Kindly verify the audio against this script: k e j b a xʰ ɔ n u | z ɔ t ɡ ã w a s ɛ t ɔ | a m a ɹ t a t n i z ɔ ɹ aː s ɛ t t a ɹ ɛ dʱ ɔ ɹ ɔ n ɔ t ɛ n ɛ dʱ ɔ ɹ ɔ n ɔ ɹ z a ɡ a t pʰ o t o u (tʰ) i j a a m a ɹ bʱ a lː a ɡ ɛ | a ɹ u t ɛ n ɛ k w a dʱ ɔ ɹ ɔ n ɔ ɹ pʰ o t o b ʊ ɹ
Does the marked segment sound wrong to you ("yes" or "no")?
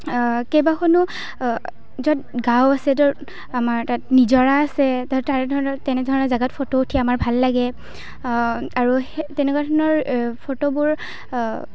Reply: no